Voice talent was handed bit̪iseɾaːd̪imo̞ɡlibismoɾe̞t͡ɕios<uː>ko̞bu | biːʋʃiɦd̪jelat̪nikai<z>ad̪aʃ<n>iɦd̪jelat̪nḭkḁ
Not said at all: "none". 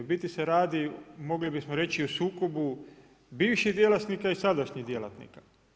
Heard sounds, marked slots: uː, s, ɲ

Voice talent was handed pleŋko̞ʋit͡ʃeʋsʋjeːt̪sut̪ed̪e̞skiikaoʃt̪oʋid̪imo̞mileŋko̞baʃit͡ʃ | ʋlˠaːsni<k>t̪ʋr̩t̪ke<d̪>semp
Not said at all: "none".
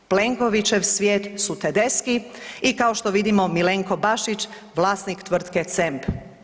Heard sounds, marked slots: k, t̪

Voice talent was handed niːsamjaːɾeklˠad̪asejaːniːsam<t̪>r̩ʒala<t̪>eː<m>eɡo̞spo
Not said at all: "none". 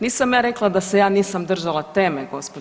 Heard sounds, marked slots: d̪, t̪, m

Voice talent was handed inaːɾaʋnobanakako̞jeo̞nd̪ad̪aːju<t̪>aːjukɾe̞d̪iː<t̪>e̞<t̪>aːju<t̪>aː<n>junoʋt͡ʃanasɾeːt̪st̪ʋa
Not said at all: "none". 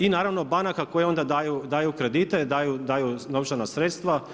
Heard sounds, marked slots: d̪, t̪, d̪, d̪, none

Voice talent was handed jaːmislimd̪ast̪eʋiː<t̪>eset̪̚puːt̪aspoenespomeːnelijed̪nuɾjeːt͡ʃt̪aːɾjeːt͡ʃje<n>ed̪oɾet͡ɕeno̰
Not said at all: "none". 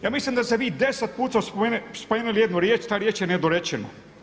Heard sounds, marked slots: d̪, n

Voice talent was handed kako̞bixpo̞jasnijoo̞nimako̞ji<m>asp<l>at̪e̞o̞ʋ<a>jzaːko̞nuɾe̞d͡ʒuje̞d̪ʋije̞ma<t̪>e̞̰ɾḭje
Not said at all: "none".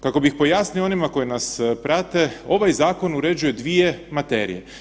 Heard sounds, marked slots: n, ɾ, a, t̪

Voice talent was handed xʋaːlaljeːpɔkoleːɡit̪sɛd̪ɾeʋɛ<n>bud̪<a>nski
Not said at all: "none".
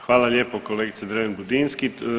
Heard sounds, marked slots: n, i

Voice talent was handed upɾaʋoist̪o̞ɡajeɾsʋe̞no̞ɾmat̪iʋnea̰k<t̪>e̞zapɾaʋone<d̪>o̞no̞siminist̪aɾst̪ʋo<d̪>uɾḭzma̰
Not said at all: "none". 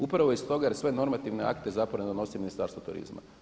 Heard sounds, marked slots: t̪, d̪, t̪

